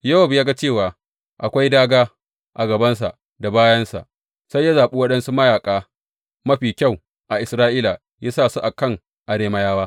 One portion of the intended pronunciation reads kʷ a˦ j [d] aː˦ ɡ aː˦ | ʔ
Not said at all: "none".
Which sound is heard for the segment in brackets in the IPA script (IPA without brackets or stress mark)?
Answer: d